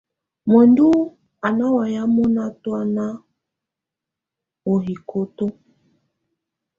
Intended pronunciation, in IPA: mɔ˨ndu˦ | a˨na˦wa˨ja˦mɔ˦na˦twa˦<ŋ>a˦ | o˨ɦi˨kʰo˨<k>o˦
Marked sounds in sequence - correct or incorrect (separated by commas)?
incorrect, incorrect